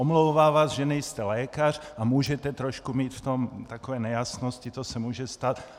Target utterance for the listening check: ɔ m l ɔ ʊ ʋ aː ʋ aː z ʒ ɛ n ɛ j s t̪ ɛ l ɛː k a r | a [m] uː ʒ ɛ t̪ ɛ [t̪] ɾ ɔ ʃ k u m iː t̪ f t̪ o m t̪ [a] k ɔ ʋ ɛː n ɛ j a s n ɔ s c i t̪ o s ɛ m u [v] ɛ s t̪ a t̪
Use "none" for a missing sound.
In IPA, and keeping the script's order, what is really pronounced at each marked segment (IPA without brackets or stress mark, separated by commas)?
m, t̪, a, ʒ